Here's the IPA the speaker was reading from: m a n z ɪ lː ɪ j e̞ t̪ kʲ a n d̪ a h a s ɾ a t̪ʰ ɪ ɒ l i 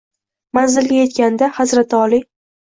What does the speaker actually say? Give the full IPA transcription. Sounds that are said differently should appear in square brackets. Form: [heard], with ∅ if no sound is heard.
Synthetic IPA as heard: m a n z ɪ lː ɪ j e̞ t̪ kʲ a n d̪ a h a [z] ɾ a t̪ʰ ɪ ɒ l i